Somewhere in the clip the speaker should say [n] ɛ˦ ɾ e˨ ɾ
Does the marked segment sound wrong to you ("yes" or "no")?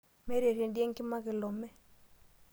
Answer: yes